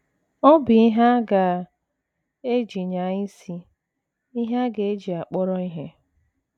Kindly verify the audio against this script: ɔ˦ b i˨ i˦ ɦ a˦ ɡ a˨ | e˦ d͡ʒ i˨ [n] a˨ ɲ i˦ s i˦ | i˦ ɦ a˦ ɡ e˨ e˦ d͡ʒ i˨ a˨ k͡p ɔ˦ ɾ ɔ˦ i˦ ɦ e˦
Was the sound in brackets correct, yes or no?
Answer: no